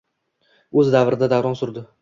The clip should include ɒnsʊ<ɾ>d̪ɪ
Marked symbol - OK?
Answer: yes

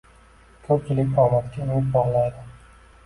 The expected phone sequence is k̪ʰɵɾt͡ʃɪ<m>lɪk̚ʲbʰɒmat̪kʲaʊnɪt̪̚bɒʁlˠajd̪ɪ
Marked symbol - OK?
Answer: no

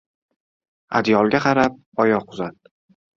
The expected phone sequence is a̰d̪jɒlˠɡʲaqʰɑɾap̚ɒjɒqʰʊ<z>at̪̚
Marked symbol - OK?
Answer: yes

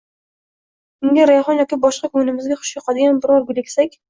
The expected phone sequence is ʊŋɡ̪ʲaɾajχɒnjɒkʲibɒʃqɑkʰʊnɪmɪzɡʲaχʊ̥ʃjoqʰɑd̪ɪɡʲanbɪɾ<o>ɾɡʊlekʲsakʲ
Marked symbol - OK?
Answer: no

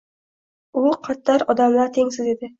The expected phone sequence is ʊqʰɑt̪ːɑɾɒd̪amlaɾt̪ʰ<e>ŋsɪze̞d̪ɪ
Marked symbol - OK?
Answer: yes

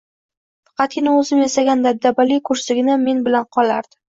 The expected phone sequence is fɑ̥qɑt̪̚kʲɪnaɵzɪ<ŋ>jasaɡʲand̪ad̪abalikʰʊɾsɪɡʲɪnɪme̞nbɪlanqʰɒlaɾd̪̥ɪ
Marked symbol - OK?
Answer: no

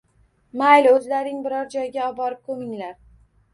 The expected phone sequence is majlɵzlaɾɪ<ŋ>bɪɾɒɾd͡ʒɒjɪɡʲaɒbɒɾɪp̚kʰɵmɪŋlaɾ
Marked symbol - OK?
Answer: yes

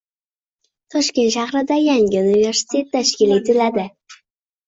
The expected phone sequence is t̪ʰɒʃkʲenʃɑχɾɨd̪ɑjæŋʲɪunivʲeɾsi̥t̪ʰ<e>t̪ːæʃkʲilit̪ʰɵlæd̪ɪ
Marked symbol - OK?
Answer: yes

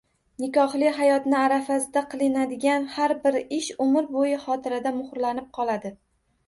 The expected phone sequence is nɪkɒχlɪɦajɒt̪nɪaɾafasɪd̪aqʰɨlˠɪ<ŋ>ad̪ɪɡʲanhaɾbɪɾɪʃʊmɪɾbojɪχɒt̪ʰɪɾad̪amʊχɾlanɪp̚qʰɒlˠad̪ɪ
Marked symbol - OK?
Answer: no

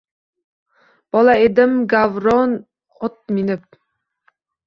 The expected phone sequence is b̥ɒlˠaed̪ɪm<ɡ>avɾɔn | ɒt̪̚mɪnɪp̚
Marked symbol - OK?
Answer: yes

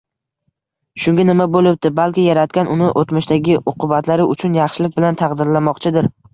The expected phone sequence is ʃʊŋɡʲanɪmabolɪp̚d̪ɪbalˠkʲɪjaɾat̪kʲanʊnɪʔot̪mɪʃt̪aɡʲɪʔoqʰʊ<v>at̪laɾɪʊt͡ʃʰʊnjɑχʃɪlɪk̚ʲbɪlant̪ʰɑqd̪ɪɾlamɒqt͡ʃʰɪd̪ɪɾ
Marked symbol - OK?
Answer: no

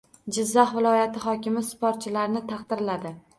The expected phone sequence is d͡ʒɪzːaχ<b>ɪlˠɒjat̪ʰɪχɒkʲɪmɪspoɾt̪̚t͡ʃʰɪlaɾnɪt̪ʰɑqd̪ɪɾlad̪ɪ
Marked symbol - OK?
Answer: no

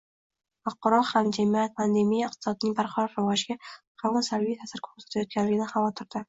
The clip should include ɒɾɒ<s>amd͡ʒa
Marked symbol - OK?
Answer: no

